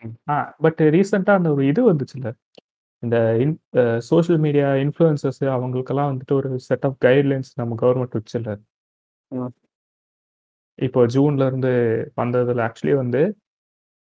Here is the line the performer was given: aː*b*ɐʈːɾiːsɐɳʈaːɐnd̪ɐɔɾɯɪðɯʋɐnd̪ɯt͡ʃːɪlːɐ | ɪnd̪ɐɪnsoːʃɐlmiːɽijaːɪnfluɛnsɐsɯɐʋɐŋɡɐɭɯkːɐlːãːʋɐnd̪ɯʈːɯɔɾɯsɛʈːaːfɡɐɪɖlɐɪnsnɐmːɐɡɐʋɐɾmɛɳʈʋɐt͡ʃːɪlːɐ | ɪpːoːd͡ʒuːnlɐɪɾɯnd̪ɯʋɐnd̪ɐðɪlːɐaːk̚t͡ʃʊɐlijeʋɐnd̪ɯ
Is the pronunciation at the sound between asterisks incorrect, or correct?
correct